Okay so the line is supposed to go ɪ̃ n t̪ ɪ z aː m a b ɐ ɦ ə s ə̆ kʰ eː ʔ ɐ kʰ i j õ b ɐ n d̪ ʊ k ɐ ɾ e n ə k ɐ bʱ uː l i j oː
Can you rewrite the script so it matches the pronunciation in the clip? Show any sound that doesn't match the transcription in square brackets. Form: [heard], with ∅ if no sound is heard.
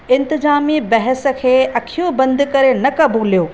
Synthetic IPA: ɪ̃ n t̪ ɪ z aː m [i] b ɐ ɦ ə s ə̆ kʰ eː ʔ ɐ kʰ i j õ b [ɐ̃] n d̪ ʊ k ɐ ɾ e n [ɐ] k ɐ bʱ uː l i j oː

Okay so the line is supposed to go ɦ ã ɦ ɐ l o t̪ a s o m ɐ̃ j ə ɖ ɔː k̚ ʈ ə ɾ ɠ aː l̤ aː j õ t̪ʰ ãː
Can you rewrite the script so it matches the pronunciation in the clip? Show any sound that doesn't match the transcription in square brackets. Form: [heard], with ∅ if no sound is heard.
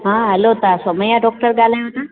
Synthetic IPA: ɦ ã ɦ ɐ l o t̪ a s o m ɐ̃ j [a] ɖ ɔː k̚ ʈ ə ɾ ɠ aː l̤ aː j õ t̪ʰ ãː

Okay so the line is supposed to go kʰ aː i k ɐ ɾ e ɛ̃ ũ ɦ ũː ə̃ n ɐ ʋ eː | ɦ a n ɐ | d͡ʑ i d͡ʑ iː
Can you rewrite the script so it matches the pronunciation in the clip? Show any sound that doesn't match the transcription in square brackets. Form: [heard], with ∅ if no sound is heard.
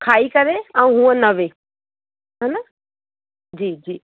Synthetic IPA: kʰ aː i k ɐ ɾ e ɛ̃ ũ ɦ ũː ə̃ n ɐ ʋ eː | ɦ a n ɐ | d͡ʑ [iː] d͡ʑ iː

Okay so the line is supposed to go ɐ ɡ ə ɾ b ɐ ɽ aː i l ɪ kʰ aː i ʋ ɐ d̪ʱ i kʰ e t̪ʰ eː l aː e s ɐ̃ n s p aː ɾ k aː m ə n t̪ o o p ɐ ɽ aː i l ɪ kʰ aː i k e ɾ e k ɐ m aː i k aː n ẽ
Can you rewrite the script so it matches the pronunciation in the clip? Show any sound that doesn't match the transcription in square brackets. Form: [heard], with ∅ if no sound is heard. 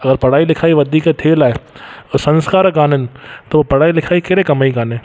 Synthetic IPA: ɐ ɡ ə ɾ [p] ɐ ɽ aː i l ɪ kʰ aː i ʋ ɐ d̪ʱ i [k] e t̪ʰ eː l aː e s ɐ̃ n s [k] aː ɾ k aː [n] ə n t̪ o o p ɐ ɽ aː i l ɪ kʰ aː i k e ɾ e k ɐ m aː i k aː n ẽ

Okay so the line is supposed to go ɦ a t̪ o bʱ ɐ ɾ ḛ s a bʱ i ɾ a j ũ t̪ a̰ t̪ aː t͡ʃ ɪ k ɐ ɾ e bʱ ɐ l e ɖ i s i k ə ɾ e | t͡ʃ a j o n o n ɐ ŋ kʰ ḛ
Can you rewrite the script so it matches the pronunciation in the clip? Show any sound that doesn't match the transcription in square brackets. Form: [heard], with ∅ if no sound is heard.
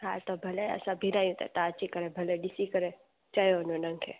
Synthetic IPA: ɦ a t̪ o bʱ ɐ [l] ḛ s a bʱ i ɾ a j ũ t̪ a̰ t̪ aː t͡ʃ [i] k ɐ ɾ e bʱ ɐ l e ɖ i s i k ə ɾ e | t͡ʃ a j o n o n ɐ ŋ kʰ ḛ

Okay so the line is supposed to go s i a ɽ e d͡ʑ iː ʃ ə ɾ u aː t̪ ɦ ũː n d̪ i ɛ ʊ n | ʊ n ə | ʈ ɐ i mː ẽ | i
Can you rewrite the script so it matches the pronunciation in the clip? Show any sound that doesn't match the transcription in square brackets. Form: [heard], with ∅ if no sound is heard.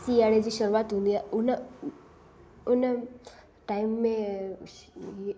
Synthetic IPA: s i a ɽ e d͡ʑ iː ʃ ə ɾ u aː t̪ ɦ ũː n d̪ i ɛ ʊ n | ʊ n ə | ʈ [a] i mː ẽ | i

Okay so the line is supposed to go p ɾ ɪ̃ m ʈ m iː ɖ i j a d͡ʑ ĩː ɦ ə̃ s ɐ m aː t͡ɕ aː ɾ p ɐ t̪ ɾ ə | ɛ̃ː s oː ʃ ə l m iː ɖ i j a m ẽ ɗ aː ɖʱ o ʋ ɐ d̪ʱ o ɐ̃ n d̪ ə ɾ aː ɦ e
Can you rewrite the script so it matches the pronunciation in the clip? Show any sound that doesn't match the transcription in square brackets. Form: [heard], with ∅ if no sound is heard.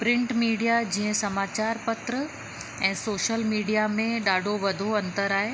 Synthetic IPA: p ɾ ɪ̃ [ɳ] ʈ m iː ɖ i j a d͡ʑ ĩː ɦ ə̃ s ɐ m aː t͡ɕ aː ɾ p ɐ t̪ ɾ ə | ɛ̃ː s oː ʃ ə l m iː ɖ i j a m ẽ ɗ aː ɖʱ o ʋ ɐ d̪ʱ o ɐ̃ n [t̪] ə ɾ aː ɦ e

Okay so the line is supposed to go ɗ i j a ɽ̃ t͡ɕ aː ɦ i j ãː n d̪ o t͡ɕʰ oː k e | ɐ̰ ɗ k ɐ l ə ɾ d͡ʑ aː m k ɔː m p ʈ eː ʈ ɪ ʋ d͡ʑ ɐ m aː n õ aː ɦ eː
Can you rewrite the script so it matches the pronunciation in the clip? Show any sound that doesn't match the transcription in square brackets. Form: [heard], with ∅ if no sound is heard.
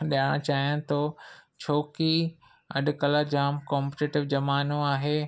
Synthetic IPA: ɗ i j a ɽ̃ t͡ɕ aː ɦ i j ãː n [t̪] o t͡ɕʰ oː k [i] | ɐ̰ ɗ k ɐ l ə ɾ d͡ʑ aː m k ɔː m p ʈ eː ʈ ɪ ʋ d͡ʑ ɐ m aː n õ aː ɦ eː

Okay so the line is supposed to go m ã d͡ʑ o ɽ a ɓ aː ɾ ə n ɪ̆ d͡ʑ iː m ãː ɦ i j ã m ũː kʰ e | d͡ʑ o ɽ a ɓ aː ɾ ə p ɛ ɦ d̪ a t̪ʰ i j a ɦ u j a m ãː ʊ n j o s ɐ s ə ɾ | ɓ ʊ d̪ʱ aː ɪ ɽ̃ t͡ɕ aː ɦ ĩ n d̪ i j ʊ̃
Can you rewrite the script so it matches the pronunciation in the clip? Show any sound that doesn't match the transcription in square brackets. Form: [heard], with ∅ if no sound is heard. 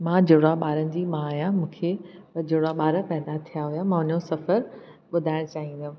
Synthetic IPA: m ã d͡ʑ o ɽ a ɓ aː ɾ ə n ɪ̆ d͡ʑ iː m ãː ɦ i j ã m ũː kʰ e | d͡ʑ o ɽ a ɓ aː ɾ ə p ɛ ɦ d̪ a t̪ʰ i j a ɦ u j a m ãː ʊ n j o s ɐ [f] ə ɾ | ɓ ʊ d̪ʱ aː ɪ ɽ̃ t͡ɕ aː ɦ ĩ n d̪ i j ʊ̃

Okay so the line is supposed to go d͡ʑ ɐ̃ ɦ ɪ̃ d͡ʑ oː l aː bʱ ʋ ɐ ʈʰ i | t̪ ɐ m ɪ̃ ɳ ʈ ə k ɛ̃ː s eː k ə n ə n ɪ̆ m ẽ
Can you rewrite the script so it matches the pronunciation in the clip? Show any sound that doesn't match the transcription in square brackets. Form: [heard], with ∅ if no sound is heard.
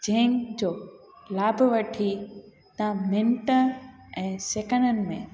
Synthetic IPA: d͡ʑ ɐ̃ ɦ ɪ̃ d͡ʑ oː l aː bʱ ʋ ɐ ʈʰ i | t̪ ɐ m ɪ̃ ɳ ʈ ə [∅] ɛ̃ː s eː k ə n ə n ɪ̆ m ẽ

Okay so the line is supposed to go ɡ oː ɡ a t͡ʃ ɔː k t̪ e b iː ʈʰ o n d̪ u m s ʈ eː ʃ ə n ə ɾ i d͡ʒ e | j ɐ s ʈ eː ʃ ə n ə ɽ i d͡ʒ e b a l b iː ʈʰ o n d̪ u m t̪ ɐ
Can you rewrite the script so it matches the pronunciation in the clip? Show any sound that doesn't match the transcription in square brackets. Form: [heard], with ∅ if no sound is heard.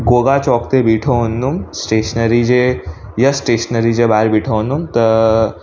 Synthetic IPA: ɡ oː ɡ a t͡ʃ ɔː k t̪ e b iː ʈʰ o n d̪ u m s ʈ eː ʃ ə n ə ɾ i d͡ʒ e | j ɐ s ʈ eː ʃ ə n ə [ɾ] i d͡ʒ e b a [ɾ] b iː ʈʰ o n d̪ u m t̪ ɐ

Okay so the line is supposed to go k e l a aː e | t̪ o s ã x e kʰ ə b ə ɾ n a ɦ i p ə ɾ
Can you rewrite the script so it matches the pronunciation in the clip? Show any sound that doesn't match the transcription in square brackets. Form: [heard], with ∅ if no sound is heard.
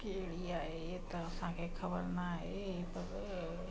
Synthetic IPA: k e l [i] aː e | t̪ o s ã [k] e kʰ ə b ə ɾ n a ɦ [e] p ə ɾ

